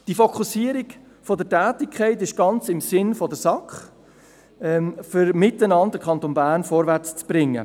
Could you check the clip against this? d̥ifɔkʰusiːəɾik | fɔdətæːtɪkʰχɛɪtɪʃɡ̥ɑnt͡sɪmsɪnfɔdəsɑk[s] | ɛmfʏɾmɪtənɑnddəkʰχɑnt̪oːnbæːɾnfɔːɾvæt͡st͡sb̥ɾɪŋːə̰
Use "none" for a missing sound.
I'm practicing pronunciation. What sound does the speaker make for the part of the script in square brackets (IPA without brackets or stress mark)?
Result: χ